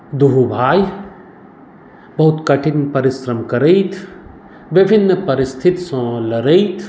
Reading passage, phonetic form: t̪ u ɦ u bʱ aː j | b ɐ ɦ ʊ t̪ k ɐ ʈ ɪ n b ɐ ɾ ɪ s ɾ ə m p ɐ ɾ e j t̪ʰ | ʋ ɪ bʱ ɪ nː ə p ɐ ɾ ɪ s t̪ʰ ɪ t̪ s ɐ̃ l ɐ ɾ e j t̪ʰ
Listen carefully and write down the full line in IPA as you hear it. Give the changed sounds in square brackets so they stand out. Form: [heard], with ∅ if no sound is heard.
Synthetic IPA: [d̪] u ɦ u bʱ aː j | b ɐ ɦ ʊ t̪ k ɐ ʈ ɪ n [p] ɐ ɾ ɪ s ɾ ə m [k] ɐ ɾ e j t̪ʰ | ʋ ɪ bʱ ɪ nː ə p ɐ ɾ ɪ s t̪ʰ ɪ t̪ s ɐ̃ l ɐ ɾ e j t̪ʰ